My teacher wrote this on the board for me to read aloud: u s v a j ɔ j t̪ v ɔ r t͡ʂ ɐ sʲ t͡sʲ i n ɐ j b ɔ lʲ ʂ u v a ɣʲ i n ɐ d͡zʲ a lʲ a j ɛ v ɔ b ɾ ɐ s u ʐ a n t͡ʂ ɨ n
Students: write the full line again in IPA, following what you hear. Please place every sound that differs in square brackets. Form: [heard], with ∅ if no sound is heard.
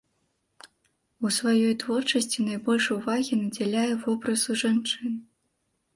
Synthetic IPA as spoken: u s v a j ɔ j t̪ v ɔ r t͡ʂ ɐ sʲ t͡sʲ i n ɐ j b ɔ lʲ ʂ u v a ɣʲ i n ɐ d͡zʲ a lʲ a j ɛ v ɔ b ɾ ɐ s u ʐ a n t͡ʂ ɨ n